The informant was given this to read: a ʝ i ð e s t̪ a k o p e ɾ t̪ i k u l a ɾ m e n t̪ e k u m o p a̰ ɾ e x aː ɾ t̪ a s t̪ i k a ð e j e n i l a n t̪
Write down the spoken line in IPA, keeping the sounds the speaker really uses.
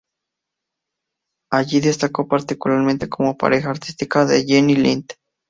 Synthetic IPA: a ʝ i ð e s t̪ a k o p a ɾ t̪ i k u l a ɾ m e n t̪ e k o m o p a̰ ɾ e x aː ɾ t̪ i s t̪ i k a ð e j e n i l i n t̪